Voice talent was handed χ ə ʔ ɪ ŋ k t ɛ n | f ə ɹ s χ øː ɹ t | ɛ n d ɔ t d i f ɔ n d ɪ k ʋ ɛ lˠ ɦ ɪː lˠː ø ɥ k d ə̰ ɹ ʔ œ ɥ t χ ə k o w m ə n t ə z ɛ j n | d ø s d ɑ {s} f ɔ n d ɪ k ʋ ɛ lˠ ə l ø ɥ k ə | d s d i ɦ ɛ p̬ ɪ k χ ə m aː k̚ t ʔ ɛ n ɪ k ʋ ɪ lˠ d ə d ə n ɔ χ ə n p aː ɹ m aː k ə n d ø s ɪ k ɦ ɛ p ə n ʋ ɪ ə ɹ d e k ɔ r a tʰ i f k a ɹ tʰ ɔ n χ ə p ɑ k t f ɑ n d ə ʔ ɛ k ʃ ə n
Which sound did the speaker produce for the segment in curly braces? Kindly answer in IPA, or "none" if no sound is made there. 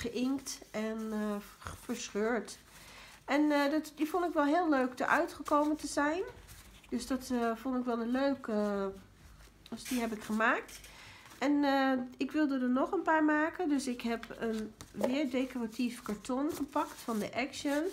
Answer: t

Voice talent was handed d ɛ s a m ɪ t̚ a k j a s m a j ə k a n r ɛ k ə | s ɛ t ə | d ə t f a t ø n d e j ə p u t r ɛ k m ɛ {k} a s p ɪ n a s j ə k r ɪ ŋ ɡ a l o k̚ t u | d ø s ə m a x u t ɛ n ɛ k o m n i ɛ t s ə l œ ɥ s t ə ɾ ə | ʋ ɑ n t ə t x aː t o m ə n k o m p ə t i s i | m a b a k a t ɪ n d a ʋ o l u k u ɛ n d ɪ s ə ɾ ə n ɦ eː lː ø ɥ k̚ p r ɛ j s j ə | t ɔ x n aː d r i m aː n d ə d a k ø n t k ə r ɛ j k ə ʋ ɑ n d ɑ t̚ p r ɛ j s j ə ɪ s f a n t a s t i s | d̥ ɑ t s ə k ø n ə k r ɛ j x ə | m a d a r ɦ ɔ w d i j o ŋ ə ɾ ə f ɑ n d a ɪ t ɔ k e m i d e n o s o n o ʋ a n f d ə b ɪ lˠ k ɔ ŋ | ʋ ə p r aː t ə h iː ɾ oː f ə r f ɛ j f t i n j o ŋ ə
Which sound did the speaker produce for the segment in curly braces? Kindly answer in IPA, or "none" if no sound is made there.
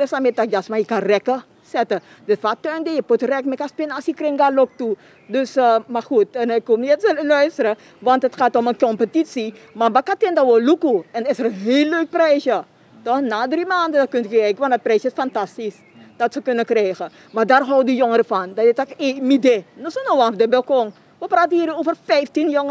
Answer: k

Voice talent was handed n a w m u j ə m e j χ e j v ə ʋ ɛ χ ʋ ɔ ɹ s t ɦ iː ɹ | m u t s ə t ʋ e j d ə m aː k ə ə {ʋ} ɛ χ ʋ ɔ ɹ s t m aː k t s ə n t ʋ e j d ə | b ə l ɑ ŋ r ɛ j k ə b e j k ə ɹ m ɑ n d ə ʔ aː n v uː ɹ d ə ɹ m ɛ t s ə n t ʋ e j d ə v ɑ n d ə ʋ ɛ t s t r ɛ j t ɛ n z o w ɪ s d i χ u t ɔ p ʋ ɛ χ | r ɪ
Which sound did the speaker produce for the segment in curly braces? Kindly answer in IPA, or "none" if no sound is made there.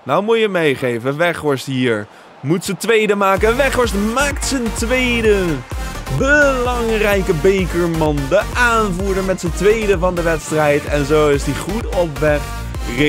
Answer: ʋ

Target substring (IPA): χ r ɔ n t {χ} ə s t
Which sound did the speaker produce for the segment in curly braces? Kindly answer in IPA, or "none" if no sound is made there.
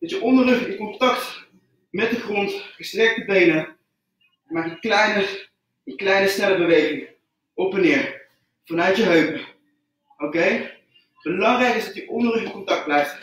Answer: χ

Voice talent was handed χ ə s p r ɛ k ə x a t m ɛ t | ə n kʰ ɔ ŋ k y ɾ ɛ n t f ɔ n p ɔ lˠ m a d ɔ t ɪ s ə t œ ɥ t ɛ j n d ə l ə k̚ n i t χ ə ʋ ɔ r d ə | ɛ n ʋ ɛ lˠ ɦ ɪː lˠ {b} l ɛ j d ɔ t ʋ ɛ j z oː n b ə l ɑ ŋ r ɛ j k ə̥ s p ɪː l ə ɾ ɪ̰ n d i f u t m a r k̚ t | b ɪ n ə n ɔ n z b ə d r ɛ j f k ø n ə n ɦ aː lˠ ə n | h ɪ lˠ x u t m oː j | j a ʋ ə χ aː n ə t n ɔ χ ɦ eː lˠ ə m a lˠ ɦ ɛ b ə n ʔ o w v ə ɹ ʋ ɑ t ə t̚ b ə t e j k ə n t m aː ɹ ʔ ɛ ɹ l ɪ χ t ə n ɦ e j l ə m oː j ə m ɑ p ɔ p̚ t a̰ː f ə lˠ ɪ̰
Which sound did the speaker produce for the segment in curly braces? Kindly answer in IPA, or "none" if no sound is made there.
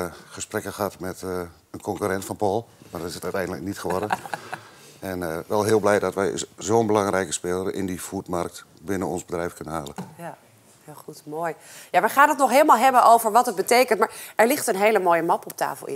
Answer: b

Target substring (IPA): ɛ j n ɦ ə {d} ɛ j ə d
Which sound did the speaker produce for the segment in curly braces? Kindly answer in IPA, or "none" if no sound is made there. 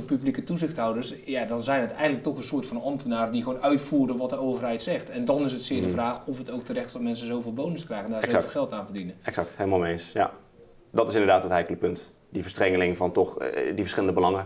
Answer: t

